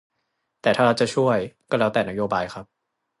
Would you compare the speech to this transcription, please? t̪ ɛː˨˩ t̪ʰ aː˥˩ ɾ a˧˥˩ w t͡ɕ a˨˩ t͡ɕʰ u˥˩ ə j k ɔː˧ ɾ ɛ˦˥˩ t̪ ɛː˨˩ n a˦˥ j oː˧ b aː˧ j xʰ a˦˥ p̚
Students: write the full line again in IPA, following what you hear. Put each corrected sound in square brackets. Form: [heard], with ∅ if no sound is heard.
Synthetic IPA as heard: t̪ ɛː˨˩ t̪ʰ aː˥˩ ɾ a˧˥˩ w t͡ɕ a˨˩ t͡ɕʰ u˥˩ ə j k [ɔː˥˩] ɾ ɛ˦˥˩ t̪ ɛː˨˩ n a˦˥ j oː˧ b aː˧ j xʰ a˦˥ p̚